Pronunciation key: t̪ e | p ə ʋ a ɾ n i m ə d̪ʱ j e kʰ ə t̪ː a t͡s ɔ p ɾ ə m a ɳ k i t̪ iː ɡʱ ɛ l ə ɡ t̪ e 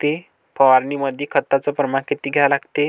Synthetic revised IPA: t̪ e | p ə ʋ a ɾ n i m ə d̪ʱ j e kʰ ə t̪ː a t͡s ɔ p ɾ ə m a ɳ k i t̪ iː ɡʱ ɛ l a ɡ t̪ e